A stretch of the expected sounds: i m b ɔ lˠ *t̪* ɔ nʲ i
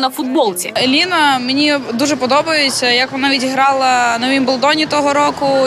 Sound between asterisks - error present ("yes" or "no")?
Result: yes